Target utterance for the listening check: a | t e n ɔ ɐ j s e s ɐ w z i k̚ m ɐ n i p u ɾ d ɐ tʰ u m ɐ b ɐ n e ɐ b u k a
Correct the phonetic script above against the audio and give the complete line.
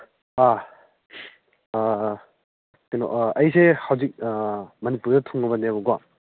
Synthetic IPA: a | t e n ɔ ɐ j s e h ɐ w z i k̚ m ɐ n i p u ɾ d ɐ tʰ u ŋ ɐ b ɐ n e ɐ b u ɡ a